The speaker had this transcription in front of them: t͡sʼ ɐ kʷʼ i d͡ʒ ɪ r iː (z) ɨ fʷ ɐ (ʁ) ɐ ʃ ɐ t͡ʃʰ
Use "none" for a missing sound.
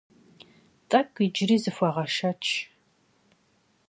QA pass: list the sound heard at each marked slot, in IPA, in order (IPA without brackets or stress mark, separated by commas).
z, ʁ